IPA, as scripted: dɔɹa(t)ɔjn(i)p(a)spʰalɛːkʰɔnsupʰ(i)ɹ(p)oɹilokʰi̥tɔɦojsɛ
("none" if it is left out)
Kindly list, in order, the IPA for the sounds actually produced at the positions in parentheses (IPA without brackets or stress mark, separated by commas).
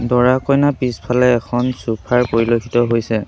k, a, i, a, p